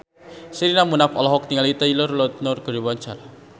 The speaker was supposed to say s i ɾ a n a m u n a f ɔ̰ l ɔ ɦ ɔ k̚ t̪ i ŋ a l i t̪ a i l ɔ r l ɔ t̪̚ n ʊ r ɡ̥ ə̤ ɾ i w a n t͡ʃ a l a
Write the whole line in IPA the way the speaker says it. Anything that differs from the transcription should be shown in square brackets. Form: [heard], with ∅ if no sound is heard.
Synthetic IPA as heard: s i ɾ [i] n a m u n a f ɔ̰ l ɔ ɦ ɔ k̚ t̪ i ŋ a l i t̪ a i l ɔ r l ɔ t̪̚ n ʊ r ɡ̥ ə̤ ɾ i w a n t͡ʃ a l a